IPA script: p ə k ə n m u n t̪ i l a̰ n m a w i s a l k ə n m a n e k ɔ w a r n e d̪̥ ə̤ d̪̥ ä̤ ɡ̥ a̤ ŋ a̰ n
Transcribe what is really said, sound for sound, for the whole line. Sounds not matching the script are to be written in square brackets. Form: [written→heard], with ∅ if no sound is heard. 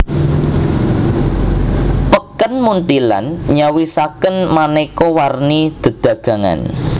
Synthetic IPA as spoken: p ə k ə n m u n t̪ i l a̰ n [m→ɲ] a w i s a [l→∅] k ə n m a n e k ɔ w a r n [e→i] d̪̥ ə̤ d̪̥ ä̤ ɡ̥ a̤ ŋ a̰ n